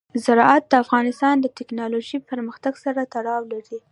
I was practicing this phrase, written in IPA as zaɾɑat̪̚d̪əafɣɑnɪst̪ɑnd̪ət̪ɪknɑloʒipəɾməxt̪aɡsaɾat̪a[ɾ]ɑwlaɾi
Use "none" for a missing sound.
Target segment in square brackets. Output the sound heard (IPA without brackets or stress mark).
ɽ